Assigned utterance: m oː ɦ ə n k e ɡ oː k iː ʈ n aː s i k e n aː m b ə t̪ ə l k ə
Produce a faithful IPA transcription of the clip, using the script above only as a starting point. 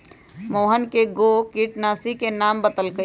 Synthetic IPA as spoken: m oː ɦ ə n k e ɡ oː k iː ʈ n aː s i k e n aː m b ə t̪ ə l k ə